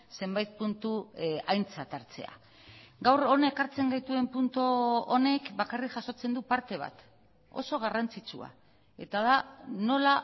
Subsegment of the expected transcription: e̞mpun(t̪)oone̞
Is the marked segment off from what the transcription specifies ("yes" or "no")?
no